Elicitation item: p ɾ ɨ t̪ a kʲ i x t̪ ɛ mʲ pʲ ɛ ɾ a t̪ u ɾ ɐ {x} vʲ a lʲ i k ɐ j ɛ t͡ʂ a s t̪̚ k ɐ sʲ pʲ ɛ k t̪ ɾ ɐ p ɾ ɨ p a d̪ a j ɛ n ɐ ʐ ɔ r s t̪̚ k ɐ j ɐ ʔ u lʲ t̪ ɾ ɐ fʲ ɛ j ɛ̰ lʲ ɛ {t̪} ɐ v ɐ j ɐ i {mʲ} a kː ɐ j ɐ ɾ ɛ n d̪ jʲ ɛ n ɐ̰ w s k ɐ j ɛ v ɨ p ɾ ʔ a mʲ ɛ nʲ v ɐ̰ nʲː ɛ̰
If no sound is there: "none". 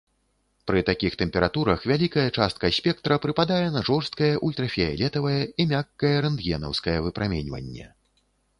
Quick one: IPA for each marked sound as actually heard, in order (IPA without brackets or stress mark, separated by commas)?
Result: x, t̪, mʲ